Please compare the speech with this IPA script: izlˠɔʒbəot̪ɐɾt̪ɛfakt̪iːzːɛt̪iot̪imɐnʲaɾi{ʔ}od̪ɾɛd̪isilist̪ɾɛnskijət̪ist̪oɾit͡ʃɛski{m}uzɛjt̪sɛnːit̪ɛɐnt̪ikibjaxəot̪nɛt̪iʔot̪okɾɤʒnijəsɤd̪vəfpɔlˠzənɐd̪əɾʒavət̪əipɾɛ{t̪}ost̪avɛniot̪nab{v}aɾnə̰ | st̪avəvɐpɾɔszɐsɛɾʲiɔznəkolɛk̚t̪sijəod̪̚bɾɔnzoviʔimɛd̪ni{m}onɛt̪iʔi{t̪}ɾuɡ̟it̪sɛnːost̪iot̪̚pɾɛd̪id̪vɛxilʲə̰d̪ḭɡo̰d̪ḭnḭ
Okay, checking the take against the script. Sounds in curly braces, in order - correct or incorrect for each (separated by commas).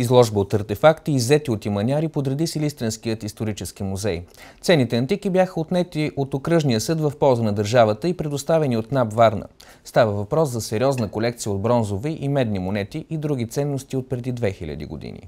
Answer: incorrect, correct, incorrect, correct, correct, incorrect